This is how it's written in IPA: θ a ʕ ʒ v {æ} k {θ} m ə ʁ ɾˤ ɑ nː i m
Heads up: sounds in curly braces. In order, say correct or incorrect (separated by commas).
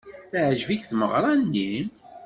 incorrect, correct